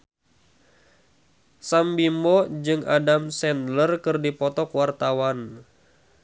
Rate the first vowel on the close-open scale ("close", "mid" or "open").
open